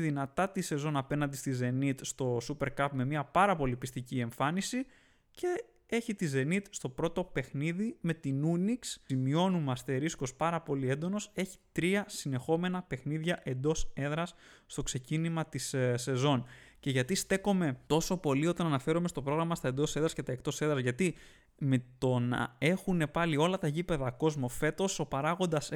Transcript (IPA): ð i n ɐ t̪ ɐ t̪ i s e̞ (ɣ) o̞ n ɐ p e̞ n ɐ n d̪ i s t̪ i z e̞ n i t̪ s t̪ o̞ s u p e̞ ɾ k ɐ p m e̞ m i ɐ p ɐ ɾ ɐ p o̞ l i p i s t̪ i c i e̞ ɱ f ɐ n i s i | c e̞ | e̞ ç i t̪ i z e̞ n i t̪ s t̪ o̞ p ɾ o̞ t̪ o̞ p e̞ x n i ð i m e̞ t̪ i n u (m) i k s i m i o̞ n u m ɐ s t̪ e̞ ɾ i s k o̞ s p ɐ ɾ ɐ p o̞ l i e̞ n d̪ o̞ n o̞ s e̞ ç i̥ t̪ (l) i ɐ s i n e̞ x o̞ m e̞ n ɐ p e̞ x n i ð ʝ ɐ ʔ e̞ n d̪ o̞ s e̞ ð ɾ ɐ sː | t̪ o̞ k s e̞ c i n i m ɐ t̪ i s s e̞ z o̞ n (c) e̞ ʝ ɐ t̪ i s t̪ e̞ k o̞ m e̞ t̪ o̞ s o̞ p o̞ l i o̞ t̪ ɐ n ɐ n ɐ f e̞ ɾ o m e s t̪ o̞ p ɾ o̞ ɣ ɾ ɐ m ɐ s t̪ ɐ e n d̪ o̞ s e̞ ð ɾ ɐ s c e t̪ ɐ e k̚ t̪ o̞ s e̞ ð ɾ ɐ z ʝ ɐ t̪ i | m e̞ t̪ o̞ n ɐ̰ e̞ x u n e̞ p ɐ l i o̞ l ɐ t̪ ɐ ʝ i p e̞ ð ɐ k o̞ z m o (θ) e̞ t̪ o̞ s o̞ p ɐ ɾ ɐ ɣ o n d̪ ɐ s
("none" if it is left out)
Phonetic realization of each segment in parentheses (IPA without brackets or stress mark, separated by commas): z, n, ɾ, c, f